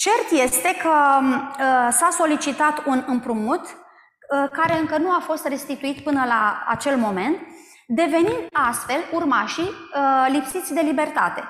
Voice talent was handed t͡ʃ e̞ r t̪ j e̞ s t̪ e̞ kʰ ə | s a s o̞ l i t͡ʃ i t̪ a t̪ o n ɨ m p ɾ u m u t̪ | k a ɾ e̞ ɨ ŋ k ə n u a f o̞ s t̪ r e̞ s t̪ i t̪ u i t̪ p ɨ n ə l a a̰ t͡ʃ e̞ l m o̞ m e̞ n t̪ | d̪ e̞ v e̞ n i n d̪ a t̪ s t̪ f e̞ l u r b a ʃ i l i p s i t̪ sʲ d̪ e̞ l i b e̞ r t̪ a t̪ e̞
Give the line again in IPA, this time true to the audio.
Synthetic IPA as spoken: t͡ʃ e̞ r t̪ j e̞ s t̪ e̞ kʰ ə | s a s o̞ l i t͡ʃ i t̪ a t̪ u n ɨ m p ɾ u m u t̪ | k a ɾ e̞ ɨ ŋ k ə n u a f o̞ s t̪ r e̞ s t̪ i t̪ u i t̪ p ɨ n ə l a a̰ t͡ʃ e̞ l m o̞ m e̞ n t̪ | d̪ e̞ v e̞ n i n d̪ a s t̪ f e̞ l u r m a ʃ i l i p s i t̪ sʲ d̪ e̞ l i b e̞ r t̪ a t̪ e̞